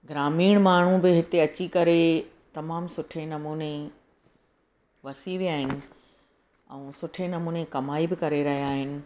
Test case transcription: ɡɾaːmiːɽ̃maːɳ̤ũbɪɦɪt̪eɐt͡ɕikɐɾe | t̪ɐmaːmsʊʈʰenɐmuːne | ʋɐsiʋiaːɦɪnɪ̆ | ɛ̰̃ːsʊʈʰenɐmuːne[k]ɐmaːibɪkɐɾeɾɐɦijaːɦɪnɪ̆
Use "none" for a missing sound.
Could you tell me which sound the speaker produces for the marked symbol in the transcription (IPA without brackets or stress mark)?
k